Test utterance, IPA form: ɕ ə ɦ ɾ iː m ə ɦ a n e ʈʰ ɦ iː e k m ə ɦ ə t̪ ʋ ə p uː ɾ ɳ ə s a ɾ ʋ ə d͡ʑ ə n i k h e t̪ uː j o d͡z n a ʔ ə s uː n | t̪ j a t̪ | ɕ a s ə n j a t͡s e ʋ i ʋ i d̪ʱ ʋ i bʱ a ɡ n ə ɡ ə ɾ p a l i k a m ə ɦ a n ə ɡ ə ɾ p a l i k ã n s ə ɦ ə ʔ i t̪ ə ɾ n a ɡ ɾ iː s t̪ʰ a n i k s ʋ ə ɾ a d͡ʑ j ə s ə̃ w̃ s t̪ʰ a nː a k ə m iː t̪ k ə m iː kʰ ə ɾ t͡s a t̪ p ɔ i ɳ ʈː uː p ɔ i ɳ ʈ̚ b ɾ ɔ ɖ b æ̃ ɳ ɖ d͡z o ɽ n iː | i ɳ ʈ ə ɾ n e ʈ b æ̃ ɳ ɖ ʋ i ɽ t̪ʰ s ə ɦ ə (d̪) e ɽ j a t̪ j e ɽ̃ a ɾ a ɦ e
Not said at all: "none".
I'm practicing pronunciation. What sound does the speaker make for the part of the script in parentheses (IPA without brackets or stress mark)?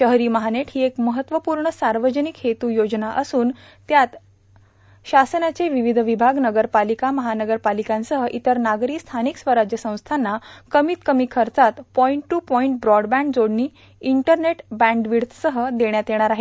d̪